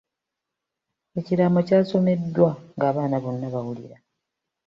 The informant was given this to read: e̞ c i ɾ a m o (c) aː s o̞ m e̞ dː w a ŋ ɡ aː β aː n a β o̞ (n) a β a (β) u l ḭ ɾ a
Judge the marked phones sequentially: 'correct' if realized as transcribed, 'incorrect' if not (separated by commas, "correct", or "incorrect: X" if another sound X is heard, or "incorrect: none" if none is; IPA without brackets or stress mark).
correct, incorrect: nː, incorrect: w